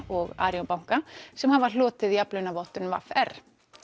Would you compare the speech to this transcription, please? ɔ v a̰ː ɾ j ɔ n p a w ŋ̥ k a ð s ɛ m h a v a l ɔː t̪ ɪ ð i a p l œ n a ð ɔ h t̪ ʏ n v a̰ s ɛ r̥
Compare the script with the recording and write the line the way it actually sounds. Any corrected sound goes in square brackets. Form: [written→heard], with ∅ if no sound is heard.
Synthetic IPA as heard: ɔ [v→ɣ] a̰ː ɾ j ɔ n p a w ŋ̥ k a [ð→∅] s ɛ m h a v a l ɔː t̪ ɪ ð i a p l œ n a [ð→v] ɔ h t̪ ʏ n v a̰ [s→f] ɛ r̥